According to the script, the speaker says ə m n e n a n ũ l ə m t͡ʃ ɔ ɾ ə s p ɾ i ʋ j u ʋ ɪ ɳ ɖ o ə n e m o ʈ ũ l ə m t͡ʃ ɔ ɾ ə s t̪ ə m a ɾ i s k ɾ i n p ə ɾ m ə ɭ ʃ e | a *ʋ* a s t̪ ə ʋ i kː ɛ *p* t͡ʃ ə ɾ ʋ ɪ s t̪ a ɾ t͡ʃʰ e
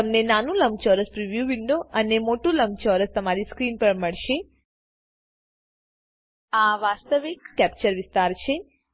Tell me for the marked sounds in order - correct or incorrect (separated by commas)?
correct, correct